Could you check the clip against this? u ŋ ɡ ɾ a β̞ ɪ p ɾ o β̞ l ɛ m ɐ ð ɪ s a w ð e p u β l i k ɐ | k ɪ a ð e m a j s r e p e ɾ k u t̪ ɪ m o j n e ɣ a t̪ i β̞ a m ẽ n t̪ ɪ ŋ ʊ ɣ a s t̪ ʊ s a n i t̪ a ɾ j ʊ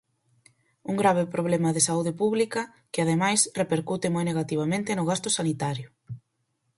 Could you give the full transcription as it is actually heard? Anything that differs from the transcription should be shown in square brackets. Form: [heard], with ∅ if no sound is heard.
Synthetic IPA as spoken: u ŋ ɡ ɾ a β̞ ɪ p ɾ o β̞ l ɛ m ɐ ð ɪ s a [u] ð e p u β l i k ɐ | k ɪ a ð e m a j s r e p e ɾ k u t̪ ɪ m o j n e ɣ a t̪ i β̞ a m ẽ n t̪ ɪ [n] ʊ ɣ a s t̪ ʊ s a n i t̪ a ɾ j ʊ